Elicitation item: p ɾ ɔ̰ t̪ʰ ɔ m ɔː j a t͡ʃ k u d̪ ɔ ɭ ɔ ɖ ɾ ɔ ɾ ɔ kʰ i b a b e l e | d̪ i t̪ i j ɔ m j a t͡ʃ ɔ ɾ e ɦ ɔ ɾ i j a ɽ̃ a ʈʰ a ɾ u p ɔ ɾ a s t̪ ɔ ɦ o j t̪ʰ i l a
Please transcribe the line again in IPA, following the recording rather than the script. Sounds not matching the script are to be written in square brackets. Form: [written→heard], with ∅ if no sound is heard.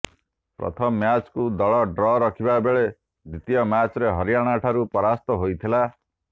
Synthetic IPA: p ɾ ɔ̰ t̪ʰ ɔ m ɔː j a t͡ʃ k u d̪ ɔ ɭ ɔ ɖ ɾ ɔ ɾ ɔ kʰ i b a b e [l→ɭ] e | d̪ i t̪ i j ɔ m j a t͡ʃ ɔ ɾ e ɦ ɔ ɾ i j a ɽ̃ a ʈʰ a ɾ u p ɔ ɾ a s t̪ ɔ ɦ o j t̪ʰ i l a